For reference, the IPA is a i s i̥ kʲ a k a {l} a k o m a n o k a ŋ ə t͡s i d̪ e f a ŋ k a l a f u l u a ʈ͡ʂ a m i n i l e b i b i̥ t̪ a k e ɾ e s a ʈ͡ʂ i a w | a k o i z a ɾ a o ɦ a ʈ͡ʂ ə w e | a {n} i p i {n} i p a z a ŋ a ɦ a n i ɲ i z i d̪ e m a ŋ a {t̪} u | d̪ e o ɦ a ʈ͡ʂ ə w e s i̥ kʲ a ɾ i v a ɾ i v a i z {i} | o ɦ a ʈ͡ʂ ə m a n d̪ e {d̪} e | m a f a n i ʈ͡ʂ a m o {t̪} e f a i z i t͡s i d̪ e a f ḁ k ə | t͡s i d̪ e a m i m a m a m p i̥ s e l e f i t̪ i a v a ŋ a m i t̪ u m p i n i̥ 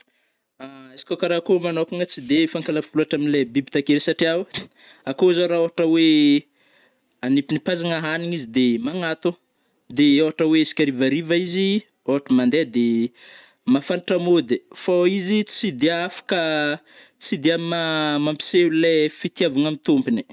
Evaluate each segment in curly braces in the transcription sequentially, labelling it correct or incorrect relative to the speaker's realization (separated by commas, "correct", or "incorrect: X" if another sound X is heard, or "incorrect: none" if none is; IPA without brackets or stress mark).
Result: incorrect: ɾ, correct, correct, correct, correct, correct, incorrect: d̪